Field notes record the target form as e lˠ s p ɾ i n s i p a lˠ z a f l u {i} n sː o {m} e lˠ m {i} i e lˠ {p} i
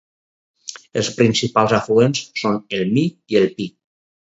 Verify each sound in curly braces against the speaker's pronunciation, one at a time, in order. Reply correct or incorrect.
incorrect: e, incorrect: n, correct, correct

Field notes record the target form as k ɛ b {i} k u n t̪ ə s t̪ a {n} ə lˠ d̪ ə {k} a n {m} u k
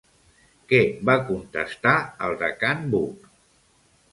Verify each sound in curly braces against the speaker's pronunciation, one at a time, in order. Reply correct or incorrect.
incorrect: a, incorrect: none, correct, incorrect: b

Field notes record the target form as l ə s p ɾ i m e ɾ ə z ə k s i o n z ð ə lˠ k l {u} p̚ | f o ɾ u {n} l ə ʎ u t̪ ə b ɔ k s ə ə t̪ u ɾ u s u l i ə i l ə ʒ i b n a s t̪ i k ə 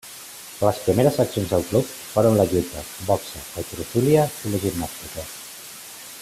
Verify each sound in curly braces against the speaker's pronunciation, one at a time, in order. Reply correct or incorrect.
correct, correct

